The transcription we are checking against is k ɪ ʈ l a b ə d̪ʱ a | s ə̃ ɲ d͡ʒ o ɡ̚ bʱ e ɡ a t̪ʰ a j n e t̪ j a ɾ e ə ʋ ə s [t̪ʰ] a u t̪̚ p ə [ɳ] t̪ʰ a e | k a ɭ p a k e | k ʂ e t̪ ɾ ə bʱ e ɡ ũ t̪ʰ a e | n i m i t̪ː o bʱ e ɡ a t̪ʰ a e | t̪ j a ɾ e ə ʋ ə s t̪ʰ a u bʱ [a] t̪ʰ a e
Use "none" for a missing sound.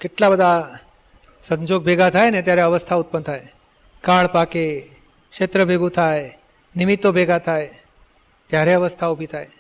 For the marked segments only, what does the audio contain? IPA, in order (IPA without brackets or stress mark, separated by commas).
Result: t̪ʰ, n, i